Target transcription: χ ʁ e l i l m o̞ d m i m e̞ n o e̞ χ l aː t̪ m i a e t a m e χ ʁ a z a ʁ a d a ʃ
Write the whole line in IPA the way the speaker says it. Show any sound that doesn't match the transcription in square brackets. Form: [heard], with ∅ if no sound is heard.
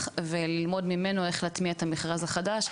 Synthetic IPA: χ [v] e l i l m o̞ d m i m e̞ n o e̞ χ l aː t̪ m i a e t a m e χ ʁ a z a [χ] a d a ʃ